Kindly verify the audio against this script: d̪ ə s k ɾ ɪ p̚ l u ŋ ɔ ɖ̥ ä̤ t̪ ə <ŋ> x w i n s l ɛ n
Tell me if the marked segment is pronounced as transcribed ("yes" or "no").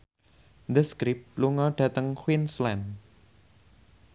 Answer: yes